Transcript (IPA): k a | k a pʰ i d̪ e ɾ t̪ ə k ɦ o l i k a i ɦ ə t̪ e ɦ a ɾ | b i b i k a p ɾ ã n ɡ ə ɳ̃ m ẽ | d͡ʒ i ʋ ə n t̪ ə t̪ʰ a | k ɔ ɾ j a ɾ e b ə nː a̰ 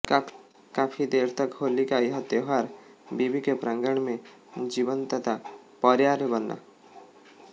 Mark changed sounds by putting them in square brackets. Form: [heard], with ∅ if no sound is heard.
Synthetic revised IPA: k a | k a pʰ i d̪ e ɾ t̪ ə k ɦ o l i k a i ɦ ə t̪ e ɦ a ɾ | b i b i k [e] p ɾ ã [ŋ] ɡ ə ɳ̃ m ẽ | d͡ʒ i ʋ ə n t̪ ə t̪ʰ a | [p] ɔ ɾ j a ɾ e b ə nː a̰